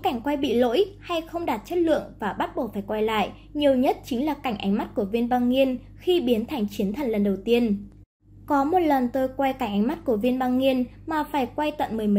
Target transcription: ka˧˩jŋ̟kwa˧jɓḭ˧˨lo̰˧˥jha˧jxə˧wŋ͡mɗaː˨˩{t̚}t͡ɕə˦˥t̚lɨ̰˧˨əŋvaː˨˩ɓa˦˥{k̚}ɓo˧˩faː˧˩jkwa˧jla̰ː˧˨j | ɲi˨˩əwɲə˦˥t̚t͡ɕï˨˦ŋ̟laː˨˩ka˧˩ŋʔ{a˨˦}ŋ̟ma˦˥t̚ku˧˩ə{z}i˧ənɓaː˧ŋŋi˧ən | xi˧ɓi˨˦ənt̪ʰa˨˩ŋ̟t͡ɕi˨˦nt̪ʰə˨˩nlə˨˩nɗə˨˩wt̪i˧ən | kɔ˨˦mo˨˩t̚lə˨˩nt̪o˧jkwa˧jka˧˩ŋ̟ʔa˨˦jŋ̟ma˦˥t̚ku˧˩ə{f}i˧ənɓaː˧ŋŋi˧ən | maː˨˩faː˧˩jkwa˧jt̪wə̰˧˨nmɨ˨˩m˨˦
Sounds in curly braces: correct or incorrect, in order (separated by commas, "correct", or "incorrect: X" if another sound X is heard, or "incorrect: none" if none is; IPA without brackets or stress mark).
correct, incorrect: t̚, correct, incorrect: v, incorrect: v